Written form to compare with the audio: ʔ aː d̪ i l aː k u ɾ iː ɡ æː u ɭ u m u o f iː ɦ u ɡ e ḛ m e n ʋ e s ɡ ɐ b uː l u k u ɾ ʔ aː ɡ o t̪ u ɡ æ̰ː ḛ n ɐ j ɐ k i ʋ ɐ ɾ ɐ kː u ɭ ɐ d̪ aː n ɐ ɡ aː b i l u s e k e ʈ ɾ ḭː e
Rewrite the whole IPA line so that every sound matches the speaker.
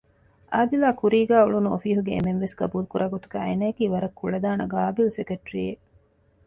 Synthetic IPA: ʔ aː d̪ i l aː k u ɾ iː ɡ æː u ɭ u n u o f iː ɦ u ɡ e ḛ m e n ʋ e s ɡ ɐ b uː l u k u ɾ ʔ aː ɡ o t̪ u ɡ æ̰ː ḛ n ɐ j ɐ k iː ʋ ɐ ɾ ɐ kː u ɭ ɐ d̪ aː n ɐ ɡ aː b i l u s e k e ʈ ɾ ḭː e